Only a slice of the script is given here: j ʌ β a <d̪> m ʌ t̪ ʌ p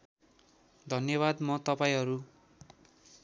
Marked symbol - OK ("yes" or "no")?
yes